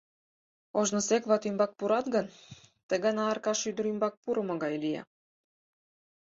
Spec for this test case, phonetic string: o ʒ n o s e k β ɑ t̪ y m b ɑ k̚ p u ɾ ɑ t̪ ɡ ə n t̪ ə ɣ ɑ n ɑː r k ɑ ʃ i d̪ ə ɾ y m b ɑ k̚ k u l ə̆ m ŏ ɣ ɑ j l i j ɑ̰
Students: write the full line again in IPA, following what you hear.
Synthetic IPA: o ʒ n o s e k β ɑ t̪ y m b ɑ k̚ p u ɾ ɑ t̪ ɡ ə n t̪ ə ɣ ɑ n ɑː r k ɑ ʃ y d̪ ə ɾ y m b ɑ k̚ p u ɾ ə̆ m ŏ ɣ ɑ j l i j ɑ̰